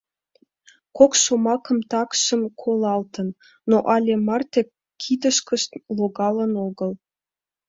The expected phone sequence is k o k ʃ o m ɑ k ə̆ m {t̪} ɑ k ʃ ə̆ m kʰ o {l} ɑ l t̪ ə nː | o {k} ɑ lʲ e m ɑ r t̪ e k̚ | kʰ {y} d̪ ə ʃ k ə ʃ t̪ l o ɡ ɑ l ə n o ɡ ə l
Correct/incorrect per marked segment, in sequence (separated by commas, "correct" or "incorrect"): correct, correct, incorrect, incorrect